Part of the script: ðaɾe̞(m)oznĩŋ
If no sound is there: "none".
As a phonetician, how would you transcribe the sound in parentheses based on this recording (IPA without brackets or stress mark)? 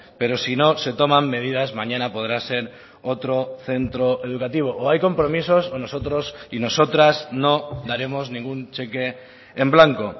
m